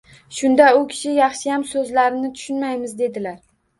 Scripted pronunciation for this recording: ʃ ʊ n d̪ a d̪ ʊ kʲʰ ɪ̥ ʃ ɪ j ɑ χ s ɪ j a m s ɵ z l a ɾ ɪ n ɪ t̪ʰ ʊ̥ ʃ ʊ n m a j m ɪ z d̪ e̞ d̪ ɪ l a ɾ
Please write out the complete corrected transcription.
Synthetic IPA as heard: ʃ ʊ n d̪ a ʊ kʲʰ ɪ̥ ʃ ɪ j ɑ χ ʃ ɪ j a m s ɵ z l a ɾ ɪ n ɪ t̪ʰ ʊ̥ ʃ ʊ n m a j m ɪ z d̪ e̞ d̪ ɪ l a ɾ

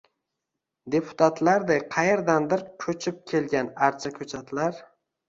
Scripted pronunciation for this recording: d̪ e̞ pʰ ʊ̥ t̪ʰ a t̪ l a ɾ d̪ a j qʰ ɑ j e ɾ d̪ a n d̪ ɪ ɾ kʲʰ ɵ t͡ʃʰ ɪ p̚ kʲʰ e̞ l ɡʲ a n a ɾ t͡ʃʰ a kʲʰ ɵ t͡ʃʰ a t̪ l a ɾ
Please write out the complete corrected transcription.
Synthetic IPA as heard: d̪ e̞ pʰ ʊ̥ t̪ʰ a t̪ l a ɾ d̪ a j qʰ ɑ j e ɾ d̪ a n d̪ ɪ ɾ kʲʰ ɵ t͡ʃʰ ɪ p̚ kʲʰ e̞ l ɡʲ a n a ɾ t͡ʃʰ a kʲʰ ɵ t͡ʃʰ a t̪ l a ɾ

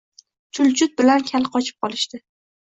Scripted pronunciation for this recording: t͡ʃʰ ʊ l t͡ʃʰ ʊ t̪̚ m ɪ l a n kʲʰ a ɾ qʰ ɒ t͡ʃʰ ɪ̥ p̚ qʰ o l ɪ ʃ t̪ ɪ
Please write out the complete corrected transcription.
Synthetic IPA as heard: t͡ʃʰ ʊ l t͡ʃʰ ʊ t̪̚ b ɪ l a n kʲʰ a l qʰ ɒ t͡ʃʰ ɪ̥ p̚ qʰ ɒ l ɪ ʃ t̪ ɪ

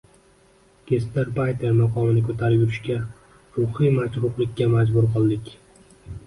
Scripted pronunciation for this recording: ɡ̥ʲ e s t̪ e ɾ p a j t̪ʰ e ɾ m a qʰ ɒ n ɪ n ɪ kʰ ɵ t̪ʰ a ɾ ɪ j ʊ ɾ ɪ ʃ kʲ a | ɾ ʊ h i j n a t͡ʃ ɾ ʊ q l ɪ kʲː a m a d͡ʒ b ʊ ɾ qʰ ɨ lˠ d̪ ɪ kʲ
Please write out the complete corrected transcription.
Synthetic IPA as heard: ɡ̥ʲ e s t̪ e ɾ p a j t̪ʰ e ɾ m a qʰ ɒ m ɪ n ɪ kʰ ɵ t̪ʰ a ɾ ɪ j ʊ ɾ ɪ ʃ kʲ a | ɾ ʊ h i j m a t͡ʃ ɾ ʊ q l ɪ kʲː a m a d͡ʒ b ʊ ɾ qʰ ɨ lˠ d̪ ɪ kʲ

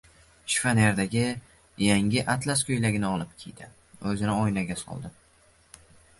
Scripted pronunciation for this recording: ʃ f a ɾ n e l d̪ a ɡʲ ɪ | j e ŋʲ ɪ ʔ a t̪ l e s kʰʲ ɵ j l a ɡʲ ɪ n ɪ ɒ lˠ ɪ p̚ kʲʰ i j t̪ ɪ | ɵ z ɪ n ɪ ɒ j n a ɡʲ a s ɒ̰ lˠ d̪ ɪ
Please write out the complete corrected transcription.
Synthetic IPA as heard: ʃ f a n e ɾ d̪ a ɡʲ ɪ | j a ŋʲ ɪ ʔ a t̪ l a s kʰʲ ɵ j l a ɡʲ ɪ n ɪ ɒ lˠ ɪ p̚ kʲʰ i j d̪ ɪ | ɵ z ɪ n ɪ ɒ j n a ɡʲ a s ɒ̰ lˠ d̪ ɪ

